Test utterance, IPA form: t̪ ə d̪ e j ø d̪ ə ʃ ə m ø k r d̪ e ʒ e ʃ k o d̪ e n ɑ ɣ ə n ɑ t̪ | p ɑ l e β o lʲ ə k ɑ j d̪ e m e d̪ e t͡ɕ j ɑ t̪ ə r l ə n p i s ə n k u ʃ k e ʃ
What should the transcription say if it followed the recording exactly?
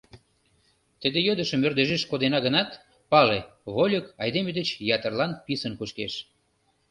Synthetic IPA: t̪ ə d̪ e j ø d̪ ə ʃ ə m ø r d̪ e ʒ e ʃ k o d̪ e n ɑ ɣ ə n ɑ t̪ | p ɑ l e β o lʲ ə k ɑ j d̪ e m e d̪ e t͡ɕ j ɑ t̪ ə r l ɑ n p i s ə n k u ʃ k e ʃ